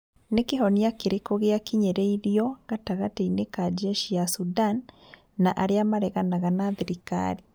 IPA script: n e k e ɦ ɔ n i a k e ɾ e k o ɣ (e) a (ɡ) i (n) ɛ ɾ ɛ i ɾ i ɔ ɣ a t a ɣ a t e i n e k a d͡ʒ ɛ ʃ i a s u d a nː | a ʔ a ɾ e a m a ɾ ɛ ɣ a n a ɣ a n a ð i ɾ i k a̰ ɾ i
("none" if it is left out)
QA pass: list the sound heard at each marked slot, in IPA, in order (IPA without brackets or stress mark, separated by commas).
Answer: e, k, ɲ